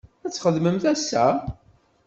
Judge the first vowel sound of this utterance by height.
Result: low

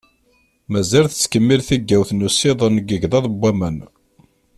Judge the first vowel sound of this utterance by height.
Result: low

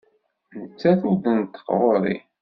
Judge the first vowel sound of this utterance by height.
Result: mid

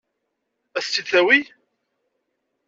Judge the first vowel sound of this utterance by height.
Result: low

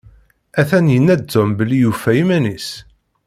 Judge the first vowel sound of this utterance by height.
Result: low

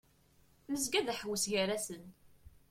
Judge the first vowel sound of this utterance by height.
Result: mid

